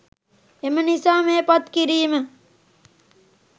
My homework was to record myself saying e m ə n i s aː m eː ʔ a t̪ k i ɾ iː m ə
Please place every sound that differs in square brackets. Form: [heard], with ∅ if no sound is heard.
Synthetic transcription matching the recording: e m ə n i s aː m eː [p] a t̪ k i ɾ iː m ə